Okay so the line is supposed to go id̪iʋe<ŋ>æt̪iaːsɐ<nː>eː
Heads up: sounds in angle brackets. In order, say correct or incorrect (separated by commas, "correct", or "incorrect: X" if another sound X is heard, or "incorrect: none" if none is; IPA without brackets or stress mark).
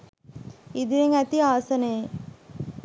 correct, incorrect: n